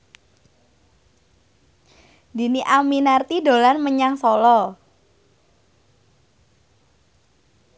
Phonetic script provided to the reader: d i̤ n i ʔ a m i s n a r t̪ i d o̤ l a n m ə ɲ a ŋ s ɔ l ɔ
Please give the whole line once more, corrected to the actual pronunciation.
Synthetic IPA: d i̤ n i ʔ a m i n a r t̪ i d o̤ l a n m ə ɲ a ŋ s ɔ l ɔ